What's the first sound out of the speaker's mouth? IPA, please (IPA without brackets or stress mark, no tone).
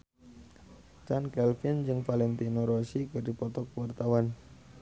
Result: t͡ʃ